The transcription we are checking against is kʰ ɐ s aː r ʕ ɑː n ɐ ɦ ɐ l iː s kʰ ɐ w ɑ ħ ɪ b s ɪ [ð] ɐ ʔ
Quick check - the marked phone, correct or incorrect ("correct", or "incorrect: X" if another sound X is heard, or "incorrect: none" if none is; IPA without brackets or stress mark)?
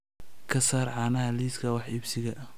incorrect: ɣ